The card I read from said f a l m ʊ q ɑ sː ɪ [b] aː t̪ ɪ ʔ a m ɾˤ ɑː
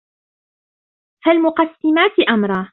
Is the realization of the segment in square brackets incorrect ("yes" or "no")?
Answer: yes